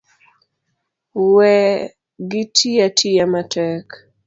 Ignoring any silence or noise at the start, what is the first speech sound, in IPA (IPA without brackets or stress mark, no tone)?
w